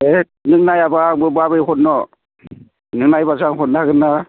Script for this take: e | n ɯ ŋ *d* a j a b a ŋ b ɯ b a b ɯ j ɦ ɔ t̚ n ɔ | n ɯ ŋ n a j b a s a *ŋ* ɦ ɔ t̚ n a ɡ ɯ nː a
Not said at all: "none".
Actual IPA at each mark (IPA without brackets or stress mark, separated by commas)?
n, ŋ